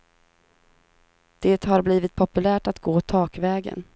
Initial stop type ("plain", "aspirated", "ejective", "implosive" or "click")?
plain